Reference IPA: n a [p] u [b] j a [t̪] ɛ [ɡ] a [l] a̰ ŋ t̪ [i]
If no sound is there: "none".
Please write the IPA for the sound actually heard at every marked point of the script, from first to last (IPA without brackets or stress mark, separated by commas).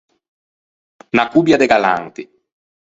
k, b, d̪, ɡ, l, i